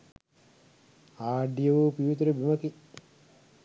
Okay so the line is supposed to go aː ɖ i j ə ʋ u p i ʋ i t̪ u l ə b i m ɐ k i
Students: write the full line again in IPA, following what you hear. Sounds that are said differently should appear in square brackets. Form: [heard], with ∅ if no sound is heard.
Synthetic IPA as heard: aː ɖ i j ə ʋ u p i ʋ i t̪ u [ɾ] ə b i m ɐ k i

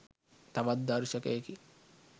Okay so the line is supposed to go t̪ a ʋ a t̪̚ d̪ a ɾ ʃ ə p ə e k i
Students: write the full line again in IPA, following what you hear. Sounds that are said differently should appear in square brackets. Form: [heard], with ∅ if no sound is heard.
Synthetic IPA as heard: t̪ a ʋ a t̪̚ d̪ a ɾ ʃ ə [k] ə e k i

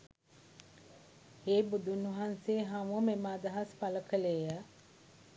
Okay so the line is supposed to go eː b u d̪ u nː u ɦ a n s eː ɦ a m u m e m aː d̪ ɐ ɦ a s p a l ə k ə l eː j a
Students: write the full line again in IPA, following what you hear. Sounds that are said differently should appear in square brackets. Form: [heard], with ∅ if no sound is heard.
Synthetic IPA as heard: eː b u d̪ u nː u ɦ a n s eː ɦ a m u m e m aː d̪ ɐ ɦ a s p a l ə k ə l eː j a

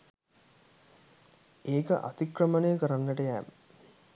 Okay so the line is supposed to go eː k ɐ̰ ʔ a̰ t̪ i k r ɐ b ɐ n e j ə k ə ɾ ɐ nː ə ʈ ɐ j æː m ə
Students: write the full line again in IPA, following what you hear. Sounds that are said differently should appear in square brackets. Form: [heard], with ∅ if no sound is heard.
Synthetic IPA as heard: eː k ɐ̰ ʔ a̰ t̪ i k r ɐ [m] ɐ n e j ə k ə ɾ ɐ nː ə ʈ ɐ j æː m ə

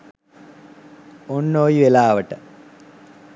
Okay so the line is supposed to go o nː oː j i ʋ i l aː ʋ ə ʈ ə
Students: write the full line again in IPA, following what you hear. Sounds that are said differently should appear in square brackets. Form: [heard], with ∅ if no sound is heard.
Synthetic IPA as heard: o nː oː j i ʋ [e] l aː ʋ ə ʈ ə

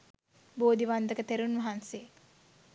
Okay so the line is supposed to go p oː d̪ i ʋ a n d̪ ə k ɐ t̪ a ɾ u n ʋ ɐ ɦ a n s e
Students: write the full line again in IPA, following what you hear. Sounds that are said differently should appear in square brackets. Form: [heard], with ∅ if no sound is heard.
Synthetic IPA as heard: [b] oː d̪ i ʋ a n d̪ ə k [ə] t̪ [e] ɾ u n ʋ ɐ ɦ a n s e

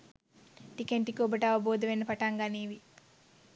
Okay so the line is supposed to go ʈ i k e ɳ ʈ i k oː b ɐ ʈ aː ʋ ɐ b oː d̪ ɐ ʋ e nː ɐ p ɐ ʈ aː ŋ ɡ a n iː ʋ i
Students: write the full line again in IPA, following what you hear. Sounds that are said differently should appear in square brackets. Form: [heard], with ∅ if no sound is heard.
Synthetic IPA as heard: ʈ i k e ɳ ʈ i k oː b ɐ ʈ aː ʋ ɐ b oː d̪ ɐ ʋ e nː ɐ p ɐ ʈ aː ŋ ɡ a n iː ʋ i

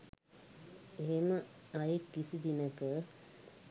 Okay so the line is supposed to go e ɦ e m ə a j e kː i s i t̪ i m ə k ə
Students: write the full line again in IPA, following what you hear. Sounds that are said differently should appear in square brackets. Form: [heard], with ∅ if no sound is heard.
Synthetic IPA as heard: e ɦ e m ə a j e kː i s i [d̪] i [n] ə k ə

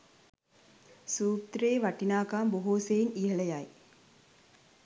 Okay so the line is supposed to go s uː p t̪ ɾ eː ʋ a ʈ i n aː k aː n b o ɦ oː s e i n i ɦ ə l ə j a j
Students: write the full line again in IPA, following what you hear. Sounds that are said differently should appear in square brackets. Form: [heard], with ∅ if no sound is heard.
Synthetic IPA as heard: s uː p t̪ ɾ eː ʋ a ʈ i n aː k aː [m] b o ɦ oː s e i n i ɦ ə l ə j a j

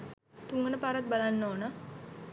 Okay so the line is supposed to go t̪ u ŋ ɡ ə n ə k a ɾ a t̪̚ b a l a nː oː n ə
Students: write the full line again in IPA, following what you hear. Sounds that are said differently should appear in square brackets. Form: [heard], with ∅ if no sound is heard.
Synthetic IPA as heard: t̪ u ŋ ɡ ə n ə [p] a ɾ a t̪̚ b a l a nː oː n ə

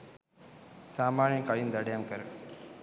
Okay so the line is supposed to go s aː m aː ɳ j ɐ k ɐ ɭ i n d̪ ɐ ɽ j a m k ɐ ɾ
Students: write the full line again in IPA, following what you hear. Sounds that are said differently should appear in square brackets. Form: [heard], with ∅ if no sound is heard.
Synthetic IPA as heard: s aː m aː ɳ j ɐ k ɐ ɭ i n d̪ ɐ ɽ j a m k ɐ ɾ

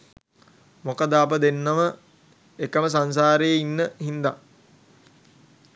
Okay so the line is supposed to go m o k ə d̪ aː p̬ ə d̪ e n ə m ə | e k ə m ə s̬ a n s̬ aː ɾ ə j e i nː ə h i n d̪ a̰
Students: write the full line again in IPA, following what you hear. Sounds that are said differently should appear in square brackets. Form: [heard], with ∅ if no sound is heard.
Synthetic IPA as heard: m o k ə d̪ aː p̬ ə d̪ e [nː] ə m ə | e k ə m ə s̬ a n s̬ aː ɾ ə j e i nː ə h i n d̪ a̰

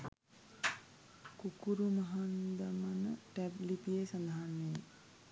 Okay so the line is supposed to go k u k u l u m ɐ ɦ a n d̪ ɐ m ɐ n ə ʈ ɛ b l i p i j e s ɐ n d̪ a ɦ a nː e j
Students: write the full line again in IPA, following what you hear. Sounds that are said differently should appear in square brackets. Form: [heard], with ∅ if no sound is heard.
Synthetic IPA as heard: k u k u [ɾ] u m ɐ ɦ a n d̪ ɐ m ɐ n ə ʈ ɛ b l i p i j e s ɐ n d̪ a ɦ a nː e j

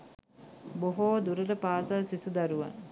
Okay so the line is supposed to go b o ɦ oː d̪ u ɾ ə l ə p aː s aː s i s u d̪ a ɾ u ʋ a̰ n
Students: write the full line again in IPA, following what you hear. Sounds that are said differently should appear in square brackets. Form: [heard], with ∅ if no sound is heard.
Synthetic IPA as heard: b o ɦ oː d̪ u ɾ ə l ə p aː s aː s i s u d̪ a ɾ u ʋ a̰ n

